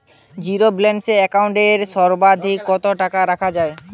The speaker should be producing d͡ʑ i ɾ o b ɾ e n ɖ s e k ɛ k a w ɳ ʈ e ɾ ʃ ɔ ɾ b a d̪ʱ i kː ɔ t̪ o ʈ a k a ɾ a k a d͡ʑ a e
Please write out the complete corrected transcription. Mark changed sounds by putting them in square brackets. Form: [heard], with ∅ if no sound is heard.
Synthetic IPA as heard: d͡ʑ i ɾ o b [l] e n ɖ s e [∅] ɛ k a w ɳ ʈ e ɾ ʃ ɔ ɾ b a d̪ʱ i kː ɔ t̪ o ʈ a k a ɾ a [kʰ] a d͡ʑ a e